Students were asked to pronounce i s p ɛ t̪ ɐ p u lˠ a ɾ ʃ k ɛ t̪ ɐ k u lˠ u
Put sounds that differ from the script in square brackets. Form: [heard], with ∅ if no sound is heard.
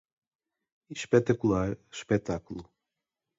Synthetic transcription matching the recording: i [ʃ] p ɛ t̪ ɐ [k] u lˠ a ɾ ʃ [p] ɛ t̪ [a] k u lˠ u

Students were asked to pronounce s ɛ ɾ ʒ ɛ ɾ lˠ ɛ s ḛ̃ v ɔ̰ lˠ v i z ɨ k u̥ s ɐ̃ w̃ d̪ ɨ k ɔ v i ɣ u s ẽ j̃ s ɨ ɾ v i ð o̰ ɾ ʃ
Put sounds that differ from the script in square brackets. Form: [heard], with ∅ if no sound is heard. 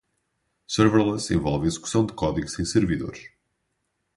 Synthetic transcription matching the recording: s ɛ ɾ [v] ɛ ɾ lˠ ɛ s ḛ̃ v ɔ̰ lˠ v i z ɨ k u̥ s ɐ̃ w̃ d̪ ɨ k ɔ [ð] i ɣ u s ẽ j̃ s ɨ ɾ v i ð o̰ ɾ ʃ

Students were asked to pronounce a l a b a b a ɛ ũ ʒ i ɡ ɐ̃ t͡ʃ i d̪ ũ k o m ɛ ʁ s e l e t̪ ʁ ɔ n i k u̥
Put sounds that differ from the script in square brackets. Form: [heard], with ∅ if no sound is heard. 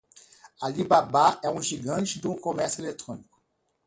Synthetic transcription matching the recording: a l [i] b a b a ɛ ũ ʒ i ɡ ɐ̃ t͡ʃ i d̪ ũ k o m ɛ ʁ s e l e t̪ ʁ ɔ n i k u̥

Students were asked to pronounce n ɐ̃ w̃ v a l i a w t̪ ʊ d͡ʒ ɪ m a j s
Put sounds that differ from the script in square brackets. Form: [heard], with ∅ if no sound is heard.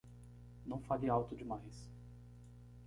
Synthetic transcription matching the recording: n ɐ̃ w̃ [f] a l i a w t̪ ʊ d͡ʒ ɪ m a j s

